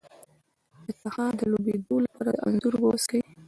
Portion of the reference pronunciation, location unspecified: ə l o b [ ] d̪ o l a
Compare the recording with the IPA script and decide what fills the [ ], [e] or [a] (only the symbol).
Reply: e